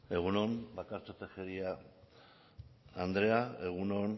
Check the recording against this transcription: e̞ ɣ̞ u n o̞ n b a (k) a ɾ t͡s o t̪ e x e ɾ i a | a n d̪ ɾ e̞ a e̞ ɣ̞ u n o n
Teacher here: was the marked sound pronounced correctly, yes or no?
yes